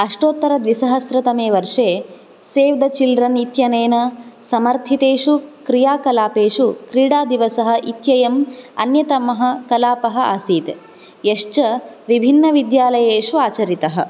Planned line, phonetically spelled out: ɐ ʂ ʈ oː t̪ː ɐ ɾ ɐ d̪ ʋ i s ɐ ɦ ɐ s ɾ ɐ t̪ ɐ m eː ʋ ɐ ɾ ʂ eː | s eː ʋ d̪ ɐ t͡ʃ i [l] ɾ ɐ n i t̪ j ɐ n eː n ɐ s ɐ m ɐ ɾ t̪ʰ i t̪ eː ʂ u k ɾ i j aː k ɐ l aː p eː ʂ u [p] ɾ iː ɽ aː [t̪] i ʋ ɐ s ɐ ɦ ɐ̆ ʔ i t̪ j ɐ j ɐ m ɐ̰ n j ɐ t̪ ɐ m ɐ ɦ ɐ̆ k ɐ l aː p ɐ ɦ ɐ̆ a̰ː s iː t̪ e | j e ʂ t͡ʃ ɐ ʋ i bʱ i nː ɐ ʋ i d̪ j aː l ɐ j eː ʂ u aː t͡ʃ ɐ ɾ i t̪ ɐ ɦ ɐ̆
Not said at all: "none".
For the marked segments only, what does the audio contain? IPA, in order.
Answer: l, k, d̪

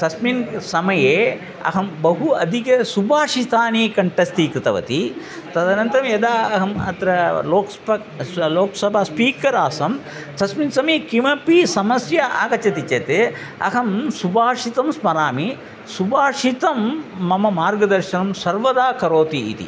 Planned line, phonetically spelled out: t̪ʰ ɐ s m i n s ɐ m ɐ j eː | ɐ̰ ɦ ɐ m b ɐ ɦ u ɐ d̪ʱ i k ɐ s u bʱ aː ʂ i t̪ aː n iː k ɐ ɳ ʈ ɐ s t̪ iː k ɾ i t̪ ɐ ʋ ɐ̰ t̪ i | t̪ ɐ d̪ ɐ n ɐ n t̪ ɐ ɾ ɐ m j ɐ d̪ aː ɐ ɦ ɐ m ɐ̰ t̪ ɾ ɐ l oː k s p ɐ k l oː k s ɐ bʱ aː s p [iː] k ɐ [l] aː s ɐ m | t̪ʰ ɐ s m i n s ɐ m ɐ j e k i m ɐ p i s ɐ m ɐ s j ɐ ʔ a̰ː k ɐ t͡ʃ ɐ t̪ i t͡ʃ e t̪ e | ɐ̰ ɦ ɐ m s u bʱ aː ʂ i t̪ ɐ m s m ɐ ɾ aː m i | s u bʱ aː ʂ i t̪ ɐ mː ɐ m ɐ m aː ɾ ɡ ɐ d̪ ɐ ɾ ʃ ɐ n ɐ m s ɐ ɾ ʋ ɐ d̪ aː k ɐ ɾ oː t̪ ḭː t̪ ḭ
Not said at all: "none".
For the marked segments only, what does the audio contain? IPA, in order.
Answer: iː, ɾ

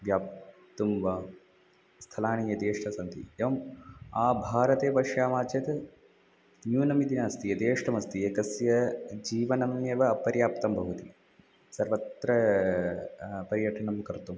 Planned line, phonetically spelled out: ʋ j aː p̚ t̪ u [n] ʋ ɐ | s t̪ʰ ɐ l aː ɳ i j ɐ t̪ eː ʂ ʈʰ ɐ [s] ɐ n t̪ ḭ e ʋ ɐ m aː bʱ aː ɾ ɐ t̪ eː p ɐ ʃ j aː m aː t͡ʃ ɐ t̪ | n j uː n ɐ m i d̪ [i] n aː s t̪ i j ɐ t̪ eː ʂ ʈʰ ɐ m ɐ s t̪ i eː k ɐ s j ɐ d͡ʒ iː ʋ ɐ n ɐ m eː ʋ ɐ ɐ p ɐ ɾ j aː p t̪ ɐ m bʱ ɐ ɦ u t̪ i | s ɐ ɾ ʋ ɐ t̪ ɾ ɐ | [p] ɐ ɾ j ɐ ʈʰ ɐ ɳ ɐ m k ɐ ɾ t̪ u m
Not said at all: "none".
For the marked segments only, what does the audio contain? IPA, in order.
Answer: m, s, i, p

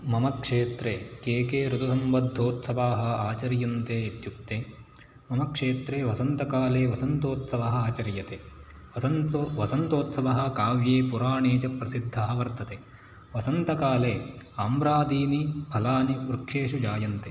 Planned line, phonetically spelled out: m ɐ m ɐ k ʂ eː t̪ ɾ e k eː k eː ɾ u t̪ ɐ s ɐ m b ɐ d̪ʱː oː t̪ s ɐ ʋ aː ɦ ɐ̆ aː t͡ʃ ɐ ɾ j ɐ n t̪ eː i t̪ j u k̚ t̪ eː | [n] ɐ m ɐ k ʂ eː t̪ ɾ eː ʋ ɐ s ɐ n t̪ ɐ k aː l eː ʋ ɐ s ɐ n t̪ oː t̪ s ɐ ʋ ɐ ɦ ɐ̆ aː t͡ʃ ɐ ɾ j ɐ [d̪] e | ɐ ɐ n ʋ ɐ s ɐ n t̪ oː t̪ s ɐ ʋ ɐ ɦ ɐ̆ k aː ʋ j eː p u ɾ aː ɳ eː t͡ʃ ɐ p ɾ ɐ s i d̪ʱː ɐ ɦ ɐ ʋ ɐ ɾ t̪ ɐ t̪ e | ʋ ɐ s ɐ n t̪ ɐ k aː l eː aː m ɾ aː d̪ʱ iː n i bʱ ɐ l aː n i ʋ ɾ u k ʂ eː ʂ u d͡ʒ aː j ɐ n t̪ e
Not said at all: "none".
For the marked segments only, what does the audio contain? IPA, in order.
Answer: m, t̪

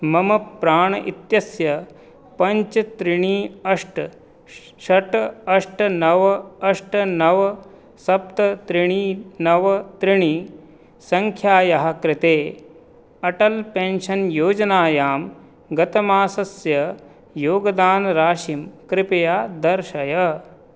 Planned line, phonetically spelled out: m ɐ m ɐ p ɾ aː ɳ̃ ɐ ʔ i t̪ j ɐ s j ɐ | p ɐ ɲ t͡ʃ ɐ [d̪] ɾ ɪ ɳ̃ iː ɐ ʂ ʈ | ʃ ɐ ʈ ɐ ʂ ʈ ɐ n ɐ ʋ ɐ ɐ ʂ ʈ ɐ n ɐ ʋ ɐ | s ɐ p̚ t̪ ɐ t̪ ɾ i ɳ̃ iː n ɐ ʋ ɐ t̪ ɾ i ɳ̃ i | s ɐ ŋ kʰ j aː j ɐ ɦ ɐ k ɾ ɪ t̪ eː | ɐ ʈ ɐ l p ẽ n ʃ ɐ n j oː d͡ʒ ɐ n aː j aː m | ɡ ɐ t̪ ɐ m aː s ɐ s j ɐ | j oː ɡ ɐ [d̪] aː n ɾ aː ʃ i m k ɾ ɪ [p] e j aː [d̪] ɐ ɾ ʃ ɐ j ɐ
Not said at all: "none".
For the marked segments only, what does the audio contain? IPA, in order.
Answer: t̪, d̪, p, d̪

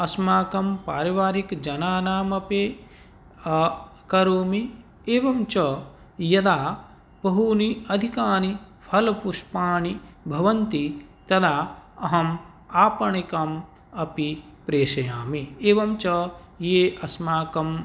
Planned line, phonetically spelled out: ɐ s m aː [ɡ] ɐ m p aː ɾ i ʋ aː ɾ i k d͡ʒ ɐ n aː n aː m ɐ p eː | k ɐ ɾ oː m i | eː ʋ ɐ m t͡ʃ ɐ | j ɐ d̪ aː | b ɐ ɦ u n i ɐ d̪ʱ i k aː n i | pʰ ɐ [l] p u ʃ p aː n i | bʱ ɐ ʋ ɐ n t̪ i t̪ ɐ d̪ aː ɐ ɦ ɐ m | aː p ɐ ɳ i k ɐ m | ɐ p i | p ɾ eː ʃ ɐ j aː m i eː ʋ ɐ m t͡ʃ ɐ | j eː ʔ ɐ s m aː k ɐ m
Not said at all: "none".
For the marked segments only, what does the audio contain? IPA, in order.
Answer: k, l

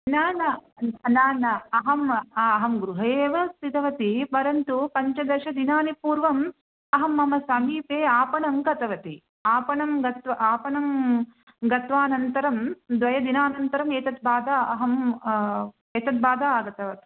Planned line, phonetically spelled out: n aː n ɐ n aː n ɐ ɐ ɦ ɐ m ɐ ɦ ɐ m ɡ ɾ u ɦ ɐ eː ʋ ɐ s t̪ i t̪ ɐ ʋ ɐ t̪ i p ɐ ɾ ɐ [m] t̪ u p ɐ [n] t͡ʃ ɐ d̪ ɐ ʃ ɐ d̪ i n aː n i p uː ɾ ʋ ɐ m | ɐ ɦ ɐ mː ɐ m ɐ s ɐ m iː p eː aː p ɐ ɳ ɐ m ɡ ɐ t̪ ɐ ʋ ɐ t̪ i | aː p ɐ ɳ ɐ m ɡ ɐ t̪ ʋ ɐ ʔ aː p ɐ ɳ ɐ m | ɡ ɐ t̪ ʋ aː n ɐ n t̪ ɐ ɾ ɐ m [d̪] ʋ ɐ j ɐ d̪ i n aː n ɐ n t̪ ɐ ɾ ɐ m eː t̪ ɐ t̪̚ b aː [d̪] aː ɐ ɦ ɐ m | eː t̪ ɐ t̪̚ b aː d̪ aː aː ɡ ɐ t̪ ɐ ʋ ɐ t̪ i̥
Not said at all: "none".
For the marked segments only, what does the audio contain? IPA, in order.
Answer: n, ɲ, d̪, d̪

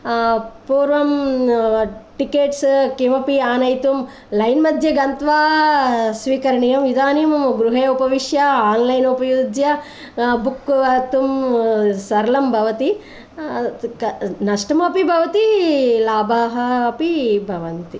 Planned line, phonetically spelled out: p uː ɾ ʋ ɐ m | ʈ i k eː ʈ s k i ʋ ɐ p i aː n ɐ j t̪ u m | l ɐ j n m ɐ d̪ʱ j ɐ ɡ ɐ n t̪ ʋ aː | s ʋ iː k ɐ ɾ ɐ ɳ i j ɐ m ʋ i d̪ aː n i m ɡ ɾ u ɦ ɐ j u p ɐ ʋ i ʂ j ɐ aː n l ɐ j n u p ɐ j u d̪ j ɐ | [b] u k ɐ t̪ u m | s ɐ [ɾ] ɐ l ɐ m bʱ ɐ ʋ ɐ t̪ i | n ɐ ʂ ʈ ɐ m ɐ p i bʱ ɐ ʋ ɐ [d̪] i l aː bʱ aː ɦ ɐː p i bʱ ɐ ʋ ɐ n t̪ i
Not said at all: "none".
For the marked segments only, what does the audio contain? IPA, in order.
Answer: b, ɾ, t̪

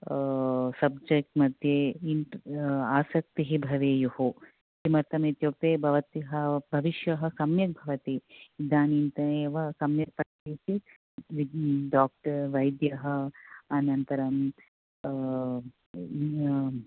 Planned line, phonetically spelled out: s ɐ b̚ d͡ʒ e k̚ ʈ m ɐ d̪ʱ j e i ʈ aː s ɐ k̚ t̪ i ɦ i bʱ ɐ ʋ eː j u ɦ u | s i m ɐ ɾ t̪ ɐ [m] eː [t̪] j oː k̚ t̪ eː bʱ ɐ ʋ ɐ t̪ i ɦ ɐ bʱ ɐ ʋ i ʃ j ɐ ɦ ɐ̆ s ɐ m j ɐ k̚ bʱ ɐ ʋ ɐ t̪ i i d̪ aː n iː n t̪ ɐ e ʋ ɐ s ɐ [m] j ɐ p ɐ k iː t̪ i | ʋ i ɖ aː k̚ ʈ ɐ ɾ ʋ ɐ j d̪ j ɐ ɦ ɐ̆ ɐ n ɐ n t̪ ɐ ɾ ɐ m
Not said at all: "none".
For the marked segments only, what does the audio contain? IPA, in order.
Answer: m, t̪, m

